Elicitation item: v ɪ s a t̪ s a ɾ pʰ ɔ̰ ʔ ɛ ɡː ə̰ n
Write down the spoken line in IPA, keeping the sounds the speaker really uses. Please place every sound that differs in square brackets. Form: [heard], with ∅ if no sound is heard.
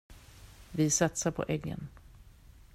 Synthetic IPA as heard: v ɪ s a t̪ s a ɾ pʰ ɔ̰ ʔ ɛ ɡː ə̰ n